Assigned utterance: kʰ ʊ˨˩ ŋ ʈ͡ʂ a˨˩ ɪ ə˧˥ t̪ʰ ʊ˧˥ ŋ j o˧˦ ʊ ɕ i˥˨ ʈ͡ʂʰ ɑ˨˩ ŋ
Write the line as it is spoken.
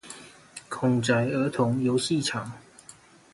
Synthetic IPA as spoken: kʰ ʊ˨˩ ŋ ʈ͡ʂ a˨˩ ɪ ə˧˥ t̪ʰ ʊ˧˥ ŋ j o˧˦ ʊ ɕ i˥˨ ʈ͡ʂʰ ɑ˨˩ ŋ